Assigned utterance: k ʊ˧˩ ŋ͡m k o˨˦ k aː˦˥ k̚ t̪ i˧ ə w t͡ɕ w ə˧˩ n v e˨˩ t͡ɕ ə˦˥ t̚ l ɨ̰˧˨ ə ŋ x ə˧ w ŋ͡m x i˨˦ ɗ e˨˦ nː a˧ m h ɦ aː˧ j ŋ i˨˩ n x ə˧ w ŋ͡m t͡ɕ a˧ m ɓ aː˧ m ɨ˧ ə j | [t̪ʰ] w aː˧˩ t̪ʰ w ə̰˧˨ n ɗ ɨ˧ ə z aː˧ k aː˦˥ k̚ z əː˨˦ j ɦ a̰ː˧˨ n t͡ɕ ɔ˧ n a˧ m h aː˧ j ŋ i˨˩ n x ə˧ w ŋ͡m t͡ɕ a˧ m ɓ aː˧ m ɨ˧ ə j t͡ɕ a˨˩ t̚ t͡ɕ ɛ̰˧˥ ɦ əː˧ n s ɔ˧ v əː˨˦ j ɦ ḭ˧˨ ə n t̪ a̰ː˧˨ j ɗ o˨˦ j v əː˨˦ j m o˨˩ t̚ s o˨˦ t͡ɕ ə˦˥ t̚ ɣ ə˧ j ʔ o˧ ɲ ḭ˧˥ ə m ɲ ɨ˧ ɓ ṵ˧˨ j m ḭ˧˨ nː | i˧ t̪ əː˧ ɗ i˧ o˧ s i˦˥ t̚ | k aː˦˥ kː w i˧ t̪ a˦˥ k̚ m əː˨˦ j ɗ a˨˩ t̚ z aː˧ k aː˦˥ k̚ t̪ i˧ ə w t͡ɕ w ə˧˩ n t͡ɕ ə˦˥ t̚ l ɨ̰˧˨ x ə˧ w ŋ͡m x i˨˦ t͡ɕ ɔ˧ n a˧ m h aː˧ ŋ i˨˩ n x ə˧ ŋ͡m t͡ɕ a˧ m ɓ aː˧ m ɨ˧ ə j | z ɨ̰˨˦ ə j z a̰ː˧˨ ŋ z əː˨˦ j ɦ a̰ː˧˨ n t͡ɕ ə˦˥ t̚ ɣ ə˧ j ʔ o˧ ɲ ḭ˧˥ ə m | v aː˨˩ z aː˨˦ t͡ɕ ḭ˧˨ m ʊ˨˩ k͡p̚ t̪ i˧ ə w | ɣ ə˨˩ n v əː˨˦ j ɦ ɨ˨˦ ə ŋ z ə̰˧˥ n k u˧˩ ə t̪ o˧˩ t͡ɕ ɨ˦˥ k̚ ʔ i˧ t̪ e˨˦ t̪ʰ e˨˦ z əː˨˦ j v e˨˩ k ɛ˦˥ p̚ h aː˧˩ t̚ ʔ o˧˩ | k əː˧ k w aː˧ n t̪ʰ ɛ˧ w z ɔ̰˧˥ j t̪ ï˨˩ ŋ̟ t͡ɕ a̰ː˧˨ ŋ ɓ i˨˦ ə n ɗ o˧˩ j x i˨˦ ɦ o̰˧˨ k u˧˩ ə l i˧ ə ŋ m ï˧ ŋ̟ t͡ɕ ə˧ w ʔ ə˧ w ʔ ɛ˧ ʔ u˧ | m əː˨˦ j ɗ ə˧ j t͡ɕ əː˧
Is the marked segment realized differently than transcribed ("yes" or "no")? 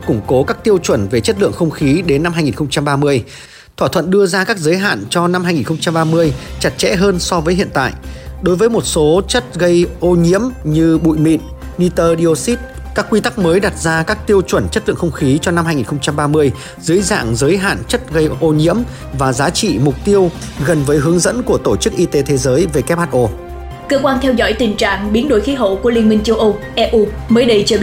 no